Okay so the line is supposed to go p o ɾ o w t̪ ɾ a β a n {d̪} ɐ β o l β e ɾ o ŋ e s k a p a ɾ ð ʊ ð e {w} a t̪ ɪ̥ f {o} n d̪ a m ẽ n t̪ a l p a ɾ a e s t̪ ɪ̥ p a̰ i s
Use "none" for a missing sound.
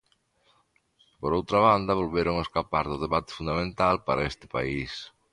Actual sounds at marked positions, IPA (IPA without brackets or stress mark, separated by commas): d̪, β, u